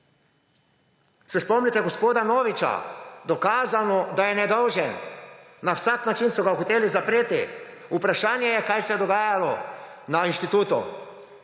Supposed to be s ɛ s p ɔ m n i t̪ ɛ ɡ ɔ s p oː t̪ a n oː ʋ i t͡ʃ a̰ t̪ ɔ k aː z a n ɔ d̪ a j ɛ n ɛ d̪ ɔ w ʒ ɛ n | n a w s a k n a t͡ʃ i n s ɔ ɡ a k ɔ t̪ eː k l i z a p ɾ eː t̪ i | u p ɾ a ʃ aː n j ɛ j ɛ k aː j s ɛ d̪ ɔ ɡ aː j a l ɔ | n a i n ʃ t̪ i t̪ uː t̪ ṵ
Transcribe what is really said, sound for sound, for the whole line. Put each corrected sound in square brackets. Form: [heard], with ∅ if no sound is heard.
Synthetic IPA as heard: s ɛ s p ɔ m n i t̪ ɛ ɡ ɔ s p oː [d̪] a n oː ʋ i t͡ʃ a̰ [d̪] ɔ k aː z a n ɔ d̪ a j ɛ n ɛ d̪ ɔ w ʒ ɛ n | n a w s a k n a t͡ʃ i n s ɔ ɡ a [x] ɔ t̪ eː [∅] l i z a p ɾ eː t̪ i | u p ɾ a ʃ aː n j ɛ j ɛ k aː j s ɛ d̪ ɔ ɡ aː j a l ɔ | n a i n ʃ t̪ i t̪ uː t̪ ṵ